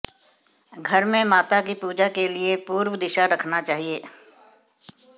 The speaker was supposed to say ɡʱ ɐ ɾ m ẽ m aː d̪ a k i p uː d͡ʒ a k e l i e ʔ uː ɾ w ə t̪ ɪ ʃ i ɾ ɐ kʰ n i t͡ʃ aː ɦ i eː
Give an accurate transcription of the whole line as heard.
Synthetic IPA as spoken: ɡʱ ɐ ɾ m ẽ m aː t̪ a k i p uː d͡ʒ a k e l i e p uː ɾ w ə d̪ ɪ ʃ a ɾ ɐ kʰ n a t͡ʃ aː ɦ i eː